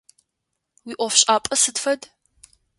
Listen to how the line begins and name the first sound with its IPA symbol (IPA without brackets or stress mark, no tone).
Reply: w